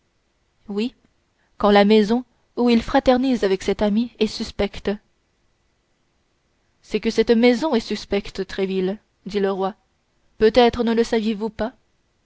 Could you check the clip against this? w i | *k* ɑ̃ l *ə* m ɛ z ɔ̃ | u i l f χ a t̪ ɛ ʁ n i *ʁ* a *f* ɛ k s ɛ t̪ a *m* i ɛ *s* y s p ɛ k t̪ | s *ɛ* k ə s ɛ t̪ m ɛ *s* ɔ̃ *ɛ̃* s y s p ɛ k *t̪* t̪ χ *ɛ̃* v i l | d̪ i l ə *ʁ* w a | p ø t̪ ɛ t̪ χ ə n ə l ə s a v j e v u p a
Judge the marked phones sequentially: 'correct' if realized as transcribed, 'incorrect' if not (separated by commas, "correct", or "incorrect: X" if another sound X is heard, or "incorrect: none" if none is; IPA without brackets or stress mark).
correct, incorrect: a, incorrect: z, incorrect: v, correct, correct, correct, incorrect: z, incorrect: ɛ, correct, incorrect: ɛ, correct